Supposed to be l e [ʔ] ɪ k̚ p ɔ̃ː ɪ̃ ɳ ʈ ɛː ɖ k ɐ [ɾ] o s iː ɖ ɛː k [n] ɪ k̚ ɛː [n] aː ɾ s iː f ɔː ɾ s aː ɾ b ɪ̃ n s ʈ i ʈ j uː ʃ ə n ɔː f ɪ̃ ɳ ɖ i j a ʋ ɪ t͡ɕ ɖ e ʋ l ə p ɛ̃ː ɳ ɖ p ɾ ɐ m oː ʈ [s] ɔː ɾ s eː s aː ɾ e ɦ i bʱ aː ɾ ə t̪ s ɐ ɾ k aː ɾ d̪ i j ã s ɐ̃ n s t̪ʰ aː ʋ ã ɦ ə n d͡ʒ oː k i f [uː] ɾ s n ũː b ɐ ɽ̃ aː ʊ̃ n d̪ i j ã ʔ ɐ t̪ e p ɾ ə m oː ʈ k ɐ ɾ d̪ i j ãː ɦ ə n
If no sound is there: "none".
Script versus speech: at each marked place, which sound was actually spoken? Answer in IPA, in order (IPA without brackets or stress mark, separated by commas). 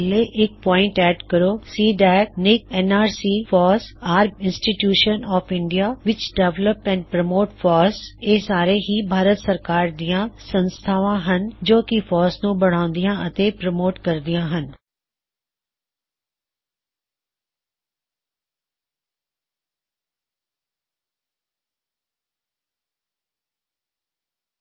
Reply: ʔ, ɾ, n, n, f, ɔː